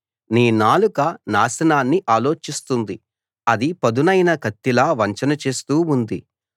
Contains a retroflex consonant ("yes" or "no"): no